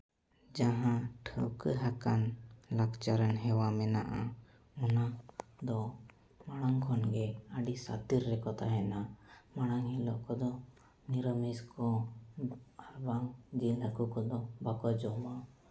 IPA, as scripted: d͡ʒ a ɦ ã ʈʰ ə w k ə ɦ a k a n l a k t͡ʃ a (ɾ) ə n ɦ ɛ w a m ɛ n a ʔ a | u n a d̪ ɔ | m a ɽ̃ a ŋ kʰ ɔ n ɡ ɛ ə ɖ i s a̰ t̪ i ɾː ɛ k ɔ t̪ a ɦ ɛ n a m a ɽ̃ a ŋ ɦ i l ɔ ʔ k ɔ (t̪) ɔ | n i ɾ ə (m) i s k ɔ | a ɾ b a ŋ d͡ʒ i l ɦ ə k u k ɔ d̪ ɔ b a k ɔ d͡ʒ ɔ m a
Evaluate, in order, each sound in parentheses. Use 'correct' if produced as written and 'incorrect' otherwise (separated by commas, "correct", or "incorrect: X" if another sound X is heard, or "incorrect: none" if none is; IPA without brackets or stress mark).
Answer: correct, incorrect: d̪, correct